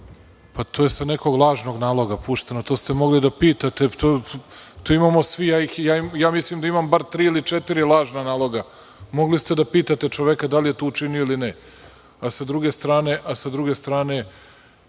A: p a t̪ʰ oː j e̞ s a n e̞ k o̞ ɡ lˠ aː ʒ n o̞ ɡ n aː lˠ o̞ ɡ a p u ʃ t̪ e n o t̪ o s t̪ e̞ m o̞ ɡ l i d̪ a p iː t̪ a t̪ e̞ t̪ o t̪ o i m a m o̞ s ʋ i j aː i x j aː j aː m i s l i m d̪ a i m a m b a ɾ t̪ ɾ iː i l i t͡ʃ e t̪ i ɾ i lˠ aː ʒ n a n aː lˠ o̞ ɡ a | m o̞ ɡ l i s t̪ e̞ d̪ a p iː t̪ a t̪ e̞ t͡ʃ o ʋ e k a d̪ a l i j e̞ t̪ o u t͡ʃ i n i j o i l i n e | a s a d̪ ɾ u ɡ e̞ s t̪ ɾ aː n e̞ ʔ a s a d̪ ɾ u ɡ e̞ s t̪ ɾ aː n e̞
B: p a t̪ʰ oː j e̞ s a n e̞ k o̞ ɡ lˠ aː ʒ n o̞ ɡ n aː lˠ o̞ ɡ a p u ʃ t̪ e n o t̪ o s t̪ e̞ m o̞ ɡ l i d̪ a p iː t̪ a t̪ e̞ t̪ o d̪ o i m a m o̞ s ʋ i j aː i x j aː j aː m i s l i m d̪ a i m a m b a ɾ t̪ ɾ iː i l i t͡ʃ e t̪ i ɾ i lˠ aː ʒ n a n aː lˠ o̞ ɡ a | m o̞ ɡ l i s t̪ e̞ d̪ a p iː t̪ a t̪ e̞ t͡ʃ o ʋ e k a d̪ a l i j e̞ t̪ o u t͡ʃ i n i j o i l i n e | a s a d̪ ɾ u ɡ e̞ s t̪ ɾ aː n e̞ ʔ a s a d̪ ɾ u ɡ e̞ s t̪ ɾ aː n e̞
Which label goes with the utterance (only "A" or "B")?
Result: A